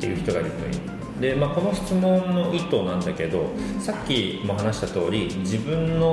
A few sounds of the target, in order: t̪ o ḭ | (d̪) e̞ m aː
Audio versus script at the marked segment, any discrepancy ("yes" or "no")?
no